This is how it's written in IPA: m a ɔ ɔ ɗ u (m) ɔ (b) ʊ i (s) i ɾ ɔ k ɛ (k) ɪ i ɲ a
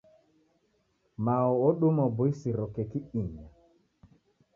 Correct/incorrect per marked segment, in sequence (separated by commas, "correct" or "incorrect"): correct, correct, correct, correct